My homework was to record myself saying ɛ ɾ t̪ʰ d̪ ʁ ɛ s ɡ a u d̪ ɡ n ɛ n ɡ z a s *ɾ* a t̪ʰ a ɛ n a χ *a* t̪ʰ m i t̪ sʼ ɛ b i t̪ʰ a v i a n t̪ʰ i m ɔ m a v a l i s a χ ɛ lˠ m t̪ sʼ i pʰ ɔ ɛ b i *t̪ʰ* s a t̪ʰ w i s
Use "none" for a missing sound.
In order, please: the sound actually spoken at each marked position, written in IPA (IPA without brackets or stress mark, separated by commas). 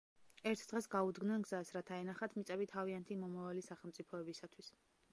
ɾ, a, none